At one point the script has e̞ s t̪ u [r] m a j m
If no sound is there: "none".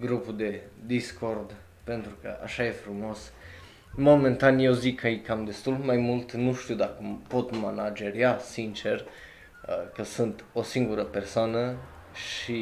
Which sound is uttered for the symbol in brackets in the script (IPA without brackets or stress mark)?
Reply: l